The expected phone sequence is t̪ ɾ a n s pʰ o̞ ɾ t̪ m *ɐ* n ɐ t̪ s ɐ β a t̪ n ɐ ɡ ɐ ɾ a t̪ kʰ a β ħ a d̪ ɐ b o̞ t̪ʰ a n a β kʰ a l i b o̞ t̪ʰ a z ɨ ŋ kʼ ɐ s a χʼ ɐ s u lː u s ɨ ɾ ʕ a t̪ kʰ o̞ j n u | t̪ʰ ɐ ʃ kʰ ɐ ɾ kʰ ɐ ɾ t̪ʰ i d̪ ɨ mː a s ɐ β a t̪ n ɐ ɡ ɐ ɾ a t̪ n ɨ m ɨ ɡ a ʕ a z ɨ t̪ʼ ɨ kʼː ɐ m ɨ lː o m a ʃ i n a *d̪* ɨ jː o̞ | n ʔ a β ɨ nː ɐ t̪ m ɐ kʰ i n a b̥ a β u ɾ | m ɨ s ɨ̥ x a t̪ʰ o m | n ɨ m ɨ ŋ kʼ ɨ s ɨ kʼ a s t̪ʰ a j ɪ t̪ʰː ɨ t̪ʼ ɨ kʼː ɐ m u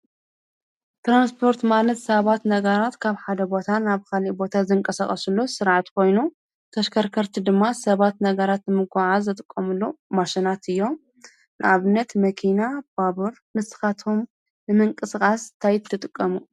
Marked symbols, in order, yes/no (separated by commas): no, no